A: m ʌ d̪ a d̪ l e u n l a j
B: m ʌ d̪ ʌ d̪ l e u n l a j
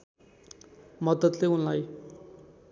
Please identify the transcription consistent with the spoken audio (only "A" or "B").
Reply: B